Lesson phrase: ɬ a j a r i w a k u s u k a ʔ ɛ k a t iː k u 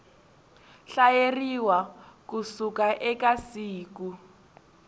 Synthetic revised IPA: ɬ a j e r i w a k u s u k a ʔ ɛ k a s iː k u